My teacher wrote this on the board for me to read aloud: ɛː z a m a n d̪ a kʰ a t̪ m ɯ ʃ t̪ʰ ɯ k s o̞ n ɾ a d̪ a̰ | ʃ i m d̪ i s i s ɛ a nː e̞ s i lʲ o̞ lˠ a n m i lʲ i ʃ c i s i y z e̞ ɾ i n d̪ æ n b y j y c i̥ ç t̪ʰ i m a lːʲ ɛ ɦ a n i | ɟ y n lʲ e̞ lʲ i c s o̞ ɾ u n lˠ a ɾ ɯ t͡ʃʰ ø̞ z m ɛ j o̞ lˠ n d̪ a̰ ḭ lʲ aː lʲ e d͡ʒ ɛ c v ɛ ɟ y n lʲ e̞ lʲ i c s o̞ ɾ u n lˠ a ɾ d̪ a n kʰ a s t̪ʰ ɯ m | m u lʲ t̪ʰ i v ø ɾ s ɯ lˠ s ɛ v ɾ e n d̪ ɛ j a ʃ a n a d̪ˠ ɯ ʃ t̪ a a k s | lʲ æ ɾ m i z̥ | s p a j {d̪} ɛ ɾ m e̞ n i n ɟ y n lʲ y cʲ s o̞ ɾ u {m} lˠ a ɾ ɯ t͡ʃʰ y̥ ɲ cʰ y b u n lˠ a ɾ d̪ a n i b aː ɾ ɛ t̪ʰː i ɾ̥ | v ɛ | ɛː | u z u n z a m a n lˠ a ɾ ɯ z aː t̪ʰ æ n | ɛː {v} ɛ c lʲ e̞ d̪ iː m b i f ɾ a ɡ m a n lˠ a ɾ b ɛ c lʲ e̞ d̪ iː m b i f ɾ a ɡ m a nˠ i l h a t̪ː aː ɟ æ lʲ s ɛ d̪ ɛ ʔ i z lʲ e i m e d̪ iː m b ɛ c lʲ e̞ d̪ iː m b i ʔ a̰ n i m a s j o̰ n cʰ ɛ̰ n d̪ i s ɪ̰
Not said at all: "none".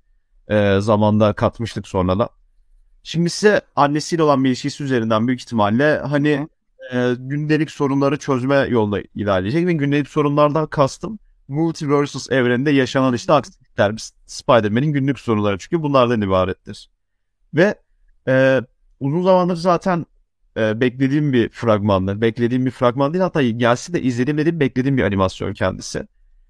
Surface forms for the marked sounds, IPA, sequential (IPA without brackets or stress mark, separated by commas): d̪, n, b